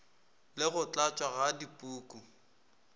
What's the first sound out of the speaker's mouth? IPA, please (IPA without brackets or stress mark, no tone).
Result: l